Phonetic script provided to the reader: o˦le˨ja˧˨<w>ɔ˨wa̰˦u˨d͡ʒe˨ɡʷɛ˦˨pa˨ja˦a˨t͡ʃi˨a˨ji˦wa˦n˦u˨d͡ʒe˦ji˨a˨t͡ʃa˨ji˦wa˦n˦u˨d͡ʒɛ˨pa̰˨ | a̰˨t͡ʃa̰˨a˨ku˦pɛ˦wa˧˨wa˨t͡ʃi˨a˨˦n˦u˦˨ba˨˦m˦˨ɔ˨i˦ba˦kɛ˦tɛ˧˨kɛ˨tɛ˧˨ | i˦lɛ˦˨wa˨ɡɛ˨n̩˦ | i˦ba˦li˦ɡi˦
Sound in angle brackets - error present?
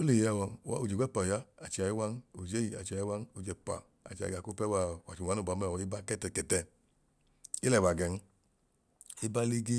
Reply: no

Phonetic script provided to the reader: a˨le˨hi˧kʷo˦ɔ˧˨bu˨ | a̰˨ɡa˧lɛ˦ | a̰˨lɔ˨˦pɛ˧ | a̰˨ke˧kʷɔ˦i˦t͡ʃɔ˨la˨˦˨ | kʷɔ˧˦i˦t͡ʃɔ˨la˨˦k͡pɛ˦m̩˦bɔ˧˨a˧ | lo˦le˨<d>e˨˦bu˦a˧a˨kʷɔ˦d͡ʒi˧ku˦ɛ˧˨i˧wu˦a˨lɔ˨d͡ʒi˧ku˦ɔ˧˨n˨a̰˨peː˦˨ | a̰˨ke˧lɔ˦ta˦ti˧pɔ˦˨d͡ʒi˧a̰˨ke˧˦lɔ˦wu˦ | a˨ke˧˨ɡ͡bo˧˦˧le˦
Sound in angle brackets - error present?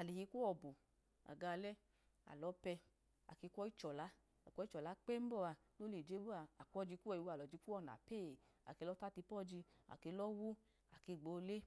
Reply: yes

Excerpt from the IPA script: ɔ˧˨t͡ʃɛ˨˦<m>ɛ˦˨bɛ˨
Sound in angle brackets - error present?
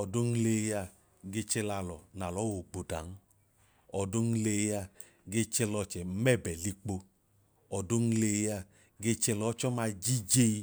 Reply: no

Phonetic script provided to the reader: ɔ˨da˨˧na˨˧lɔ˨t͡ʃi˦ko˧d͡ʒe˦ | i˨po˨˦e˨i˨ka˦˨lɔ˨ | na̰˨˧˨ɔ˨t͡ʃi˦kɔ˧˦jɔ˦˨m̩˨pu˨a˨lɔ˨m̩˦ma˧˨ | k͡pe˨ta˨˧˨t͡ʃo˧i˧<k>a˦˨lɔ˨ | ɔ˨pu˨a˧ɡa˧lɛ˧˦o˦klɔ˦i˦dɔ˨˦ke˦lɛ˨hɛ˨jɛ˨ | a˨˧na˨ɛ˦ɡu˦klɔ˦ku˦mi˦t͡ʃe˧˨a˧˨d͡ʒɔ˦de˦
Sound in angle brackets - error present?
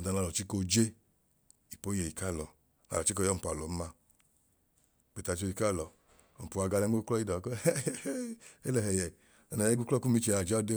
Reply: no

